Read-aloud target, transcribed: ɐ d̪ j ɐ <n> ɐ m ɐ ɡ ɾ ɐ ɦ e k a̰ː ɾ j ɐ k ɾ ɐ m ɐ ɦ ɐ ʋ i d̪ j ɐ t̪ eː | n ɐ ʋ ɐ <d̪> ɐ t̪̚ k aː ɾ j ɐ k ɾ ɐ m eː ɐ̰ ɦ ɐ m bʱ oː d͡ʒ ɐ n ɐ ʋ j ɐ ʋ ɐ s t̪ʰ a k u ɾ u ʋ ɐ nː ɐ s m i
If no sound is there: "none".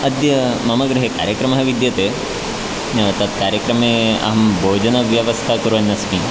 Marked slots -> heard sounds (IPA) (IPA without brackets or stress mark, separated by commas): m, t̪